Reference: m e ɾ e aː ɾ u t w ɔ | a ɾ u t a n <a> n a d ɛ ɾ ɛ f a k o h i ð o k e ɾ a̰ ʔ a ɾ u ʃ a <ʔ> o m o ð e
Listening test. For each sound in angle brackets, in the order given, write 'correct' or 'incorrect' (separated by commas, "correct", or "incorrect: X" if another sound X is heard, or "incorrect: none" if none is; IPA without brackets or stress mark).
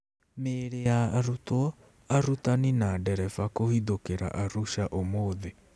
incorrect: i, correct